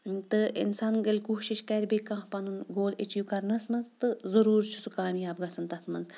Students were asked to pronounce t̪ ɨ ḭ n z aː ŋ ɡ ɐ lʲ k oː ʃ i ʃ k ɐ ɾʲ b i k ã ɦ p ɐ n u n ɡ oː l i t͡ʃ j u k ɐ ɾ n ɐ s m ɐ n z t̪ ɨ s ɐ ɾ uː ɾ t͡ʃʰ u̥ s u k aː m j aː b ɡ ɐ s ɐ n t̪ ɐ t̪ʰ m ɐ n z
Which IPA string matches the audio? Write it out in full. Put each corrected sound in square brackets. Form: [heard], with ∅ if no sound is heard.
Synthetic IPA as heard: t̪ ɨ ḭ n [s] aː [n] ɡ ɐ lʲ k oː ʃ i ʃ k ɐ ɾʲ b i k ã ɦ p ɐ n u n ɡ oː l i t͡ʃ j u k ɐ ɾ n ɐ s m ɐ n z t̪ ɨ [z] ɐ ɾ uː ɾ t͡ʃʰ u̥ s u k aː m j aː b ɡ ɐ s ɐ n t̪ ɐ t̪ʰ m ɐ n z